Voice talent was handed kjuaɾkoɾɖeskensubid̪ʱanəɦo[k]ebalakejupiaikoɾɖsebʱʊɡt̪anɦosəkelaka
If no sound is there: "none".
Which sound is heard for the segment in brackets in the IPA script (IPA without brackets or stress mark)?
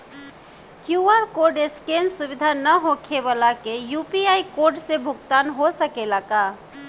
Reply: kʰ